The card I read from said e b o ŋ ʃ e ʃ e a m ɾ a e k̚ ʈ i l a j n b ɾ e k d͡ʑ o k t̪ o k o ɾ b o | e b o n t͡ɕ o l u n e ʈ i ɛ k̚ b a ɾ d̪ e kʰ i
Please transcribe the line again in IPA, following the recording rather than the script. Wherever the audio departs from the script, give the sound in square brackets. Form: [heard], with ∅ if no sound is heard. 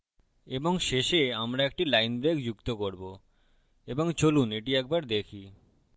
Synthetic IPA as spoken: e b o ŋ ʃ e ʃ e a m ɾ a e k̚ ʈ i l a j n b ɾ e k d͡ʑ [u] k t̪ o k o ɾ b o | e b o [ŋ] t͡ɕ o l u n e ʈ i ɛ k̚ b a ɾ d̪ e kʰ i

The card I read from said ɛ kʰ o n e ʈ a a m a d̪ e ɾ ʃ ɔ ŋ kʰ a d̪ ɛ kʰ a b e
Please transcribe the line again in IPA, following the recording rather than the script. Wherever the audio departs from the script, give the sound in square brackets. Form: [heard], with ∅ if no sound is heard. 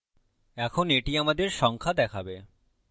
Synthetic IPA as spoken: ɛ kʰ o n e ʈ [i] a m a d̪ e ɾ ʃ ɔ ŋ kʰ a d̪ ɛ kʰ a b e

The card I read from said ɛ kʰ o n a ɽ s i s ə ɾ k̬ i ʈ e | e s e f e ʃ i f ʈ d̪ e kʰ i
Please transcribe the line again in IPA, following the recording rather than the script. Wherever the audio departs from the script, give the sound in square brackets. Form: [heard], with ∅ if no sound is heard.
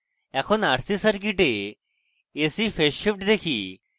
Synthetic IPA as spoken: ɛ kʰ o n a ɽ s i s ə ɾ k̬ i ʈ e | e s [i] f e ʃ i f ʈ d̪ e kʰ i

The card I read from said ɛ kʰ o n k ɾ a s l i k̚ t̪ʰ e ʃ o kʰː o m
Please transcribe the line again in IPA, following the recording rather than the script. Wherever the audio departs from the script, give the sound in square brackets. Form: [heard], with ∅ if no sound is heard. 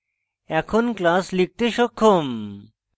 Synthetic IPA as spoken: ɛ kʰ o n k [l] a s l i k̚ [t̪] e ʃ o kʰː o m

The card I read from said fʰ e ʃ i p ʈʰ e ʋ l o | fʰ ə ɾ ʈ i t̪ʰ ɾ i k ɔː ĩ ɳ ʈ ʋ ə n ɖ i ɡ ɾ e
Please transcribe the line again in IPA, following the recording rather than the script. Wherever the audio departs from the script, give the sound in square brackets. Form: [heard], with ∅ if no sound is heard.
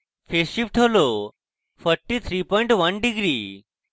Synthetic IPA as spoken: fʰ e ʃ i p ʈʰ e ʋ l o | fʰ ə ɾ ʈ i t̪ʰ ɾ i [p] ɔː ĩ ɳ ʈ ʋ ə n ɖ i ɡ ɾ [i]

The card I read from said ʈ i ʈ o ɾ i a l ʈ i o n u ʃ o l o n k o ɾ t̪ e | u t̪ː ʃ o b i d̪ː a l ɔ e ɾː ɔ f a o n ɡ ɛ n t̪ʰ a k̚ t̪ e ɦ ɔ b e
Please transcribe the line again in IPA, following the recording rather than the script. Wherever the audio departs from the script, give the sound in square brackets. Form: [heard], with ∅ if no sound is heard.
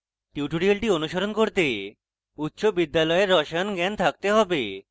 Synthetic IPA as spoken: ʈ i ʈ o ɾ i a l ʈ i o n u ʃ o [ɾ] o n k o ɾ t̪ e | u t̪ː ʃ o b i d̪ː a l ɔ e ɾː ɔ [ʃ] a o n ɡ ɛ n t̪ʰ a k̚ t̪ e ɦ ɔ b e

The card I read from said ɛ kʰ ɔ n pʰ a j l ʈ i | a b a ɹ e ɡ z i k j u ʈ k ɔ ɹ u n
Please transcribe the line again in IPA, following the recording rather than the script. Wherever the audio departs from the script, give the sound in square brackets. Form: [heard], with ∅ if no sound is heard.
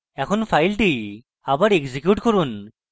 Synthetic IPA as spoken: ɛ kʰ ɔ n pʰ a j l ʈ i | a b a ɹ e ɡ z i k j u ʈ k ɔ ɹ u n

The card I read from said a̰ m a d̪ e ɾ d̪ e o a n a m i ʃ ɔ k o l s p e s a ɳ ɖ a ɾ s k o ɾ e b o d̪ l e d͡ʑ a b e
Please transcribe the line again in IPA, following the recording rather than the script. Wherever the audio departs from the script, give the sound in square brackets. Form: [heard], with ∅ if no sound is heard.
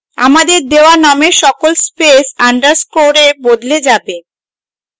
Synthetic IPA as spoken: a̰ m a d̪ e ɾ d̪ e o a n a m [e] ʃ ɔ k o l s p e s a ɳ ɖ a ɾ s k o ɾ e b o d̪ l e d͡ʑ a b e

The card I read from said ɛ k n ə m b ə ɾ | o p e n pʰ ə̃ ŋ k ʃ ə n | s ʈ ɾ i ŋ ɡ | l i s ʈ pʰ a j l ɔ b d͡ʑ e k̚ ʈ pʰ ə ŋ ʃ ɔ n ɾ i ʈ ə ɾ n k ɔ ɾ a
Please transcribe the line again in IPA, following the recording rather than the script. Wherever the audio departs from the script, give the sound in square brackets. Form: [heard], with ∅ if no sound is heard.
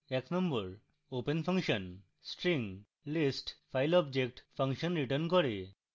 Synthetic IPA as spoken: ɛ k n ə m b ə ɾ | o p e n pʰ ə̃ ŋ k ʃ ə n | s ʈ ɾ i ŋ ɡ | l i s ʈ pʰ a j l ɔ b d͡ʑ e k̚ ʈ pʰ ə ŋ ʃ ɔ n ɾ i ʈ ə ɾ n k ɔ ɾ [e]

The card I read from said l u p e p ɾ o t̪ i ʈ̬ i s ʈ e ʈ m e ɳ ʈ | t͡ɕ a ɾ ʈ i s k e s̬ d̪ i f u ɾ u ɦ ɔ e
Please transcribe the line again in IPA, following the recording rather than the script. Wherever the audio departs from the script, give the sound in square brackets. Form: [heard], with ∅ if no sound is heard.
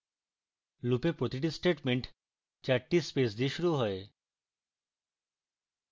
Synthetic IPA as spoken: l u p e p ɾ o t̪ i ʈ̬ i s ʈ e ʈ m e ɳ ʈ | t͡ɕ a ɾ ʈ i s [p] e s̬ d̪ i [ʃ] u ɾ u ɦ ɔ e

